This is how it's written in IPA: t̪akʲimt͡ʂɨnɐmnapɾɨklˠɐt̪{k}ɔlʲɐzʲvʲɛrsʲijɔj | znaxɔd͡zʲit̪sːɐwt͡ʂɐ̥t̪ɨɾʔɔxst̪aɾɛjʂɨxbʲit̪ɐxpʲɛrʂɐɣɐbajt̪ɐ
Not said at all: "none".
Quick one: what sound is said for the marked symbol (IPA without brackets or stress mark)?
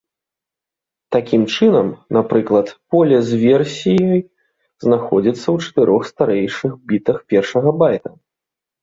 p